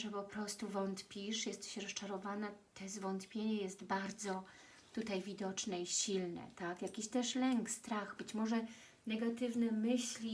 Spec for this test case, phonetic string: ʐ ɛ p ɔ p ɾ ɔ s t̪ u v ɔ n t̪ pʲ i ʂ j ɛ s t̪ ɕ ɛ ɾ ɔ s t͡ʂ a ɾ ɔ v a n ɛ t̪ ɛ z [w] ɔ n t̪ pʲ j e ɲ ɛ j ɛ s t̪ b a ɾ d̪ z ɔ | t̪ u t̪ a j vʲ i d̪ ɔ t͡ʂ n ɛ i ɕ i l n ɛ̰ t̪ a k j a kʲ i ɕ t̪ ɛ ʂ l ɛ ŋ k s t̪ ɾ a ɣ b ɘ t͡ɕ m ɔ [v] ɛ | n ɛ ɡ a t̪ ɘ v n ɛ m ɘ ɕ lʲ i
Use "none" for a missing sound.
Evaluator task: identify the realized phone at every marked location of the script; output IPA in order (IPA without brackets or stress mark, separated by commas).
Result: v, ʐ